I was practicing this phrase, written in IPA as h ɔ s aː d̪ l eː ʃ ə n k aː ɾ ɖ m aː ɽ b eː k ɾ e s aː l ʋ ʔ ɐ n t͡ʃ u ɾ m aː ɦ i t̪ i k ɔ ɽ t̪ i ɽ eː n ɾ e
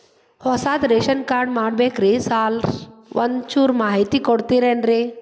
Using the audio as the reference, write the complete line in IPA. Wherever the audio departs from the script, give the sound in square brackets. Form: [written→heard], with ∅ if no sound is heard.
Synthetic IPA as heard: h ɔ s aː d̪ [l→ɾ] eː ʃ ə n k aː ɾ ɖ m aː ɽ b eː k ɾ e s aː l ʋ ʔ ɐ n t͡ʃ u ɾ m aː ɦ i t̪ i k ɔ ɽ t̪ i [ɽ→ɾ] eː n ɾ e

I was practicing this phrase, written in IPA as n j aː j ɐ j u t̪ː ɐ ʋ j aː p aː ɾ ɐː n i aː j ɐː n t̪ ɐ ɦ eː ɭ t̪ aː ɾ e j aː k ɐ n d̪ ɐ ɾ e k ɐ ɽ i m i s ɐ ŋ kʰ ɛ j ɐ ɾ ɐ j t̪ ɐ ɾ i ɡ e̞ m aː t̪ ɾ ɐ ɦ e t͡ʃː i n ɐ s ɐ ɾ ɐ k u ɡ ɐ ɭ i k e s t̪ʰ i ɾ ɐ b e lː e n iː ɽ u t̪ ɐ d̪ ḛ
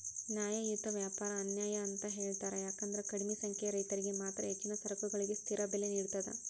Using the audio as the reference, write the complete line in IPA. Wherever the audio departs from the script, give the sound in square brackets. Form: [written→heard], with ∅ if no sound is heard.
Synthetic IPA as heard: n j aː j ɐ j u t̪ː ɐ ʋ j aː p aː ɾ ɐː n [i→j] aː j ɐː n t̪ ɐ ɦ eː ɭ t̪ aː ɾ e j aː k ɐ n d̪ ɐ ɾ e k ɐ ɽ i m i s ɐ ŋ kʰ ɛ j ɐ ɾ ɐ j t̪ ɐ ɾ i ɡ e̞ m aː t̪ ɾ ɐ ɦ e t͡ʃː i n ɐ s ɐ ɾ ɐ k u ɡ ɐ ɭ i [k→ɡ] e s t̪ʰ i ɾ ɐ b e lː e n iː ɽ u t̪ ɐ d̪ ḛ

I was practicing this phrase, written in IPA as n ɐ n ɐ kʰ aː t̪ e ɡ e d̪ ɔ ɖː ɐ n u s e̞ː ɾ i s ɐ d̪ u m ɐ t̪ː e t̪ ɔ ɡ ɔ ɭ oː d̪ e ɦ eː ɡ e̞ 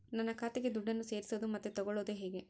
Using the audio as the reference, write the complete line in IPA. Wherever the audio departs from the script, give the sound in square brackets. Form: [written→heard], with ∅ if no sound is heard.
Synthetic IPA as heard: n ɐ [n→nː] ɐ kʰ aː t̪ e ɡ e d̪ [ɔ→u] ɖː ɐ [n→nː] u s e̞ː ɾ i s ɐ d̪ u m ɐ t̪ː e t̪ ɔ ɡ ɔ ɭ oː d̪ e ɦ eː ɡ e̞

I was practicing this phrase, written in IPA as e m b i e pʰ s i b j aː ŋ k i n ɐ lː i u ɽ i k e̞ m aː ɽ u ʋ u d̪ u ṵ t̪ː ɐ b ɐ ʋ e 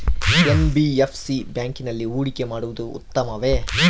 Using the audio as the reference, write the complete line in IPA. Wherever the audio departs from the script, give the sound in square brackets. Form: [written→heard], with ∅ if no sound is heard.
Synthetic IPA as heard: e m b i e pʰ s i b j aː ŋ k i n ɐ lː i [u→uː] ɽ i k e̞ m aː ɽ u ʋ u d̪ u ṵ t̪ː ɐ [b→m] ɐ ʋ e

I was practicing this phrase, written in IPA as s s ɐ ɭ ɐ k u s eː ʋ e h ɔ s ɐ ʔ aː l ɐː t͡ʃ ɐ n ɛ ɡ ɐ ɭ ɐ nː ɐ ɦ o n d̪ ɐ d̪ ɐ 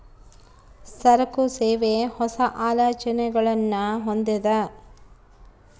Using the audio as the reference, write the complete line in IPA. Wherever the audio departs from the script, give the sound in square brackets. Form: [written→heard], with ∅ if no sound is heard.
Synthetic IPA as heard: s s ɐ [ɭ→ɾ] ɐ k u s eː ʋ e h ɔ s ɐ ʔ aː l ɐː t͡ʃ ɐ n ɛ ɡ ɐ ɭ ɐ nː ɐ ɦ o n d̪ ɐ d̪ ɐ

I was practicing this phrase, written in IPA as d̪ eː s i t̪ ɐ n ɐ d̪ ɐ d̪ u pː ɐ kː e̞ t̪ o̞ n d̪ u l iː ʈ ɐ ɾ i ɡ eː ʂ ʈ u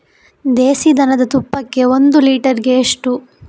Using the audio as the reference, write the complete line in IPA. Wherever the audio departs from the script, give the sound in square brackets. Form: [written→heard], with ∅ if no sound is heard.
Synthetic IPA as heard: d̪ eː s i [t̪→d̪] ɐ n ɐ d̪ ɐ [d̪→t̪] u pː ɐ kː e̞ [t̪→∅] o̞ n d̪ u l iː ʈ ɐ ɾ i ɡ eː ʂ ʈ u

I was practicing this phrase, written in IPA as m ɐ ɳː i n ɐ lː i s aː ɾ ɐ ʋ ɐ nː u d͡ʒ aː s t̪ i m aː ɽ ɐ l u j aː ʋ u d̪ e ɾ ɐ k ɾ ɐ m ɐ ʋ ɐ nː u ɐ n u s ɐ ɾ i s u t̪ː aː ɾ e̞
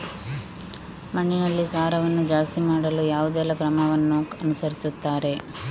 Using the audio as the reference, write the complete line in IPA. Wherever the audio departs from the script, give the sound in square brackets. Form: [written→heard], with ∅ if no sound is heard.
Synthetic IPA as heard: m ɐ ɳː i n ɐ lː i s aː ɾ ɐ ʋ ɐ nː u d͡ʒ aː s t̪ i m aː ɽ ɐ l u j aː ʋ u d̪ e [ɾ→l] ɐ k ɾ ɐ m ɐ ʋ ɐ nː u ɐ n u s ɐ ɾ i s u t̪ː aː ɾ e̞

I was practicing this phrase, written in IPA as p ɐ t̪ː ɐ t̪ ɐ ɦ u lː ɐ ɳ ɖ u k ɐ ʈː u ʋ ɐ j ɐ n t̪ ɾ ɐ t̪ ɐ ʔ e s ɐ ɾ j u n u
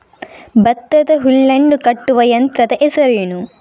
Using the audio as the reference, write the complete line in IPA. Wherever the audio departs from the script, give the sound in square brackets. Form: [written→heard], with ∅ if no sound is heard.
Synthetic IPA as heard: [p→b] ɐ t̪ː ɐ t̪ ɐ ɦ u lː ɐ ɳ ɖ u k ɐ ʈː u ʋ ɐ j ɐ n t̪ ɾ ɐ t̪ ɐ ʔ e s ɐ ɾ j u n u

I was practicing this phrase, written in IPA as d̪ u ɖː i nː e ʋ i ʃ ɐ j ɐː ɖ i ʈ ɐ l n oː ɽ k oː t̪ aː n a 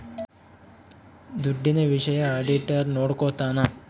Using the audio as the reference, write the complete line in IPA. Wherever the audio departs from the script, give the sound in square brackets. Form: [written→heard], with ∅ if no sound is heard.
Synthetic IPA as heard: d̪ u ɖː i [nː→n] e ʋ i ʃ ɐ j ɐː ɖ i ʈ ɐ [l→ɾ] n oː ɽ k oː t̪ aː n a

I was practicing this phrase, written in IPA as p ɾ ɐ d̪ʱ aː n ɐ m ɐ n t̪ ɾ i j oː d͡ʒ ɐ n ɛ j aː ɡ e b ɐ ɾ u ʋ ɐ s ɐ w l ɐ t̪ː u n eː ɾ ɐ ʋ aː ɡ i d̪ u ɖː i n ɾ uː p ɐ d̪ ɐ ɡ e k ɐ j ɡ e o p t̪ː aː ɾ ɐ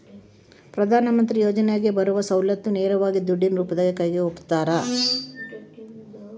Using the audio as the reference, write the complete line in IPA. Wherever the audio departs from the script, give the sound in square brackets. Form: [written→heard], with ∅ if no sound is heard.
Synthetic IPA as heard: p ɾ ɐ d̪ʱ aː n ɐ m ɐ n t̪ ɾ i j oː d͡ʒ ɐ n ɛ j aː ɡ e b ɐ ɾ u ʋ ɐ s ɐ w l ɐ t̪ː u n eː ɾ ɐ ʋ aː ɡ i d̪ u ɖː i n ɾ uː p ɐ d̪ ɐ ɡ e k ɐ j ɡ e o p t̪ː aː ɾ ɐ

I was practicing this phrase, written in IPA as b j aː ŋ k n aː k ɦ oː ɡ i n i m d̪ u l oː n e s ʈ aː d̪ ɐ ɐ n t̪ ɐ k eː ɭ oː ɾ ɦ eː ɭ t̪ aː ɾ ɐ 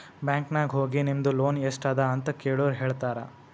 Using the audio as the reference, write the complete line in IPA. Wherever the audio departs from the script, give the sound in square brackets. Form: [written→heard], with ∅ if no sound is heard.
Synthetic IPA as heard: b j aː ŋ k n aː [k→ɡ] ɦ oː ɡ i n i m d̪ u l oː n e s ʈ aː d̪ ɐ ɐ n t̪ ɐ k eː ɭ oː ɾ ɦ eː ɭ t̪ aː ɾ ɐ

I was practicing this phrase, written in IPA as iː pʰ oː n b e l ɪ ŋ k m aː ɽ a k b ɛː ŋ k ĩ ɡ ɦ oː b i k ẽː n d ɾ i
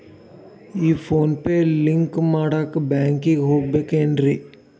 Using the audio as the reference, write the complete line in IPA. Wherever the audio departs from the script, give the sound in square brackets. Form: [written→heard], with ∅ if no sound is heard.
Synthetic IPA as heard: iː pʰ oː n [b→p] e l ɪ ŋ k m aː ɽ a k b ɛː ŋ k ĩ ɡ ɦ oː b [i→e] k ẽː n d ɾ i

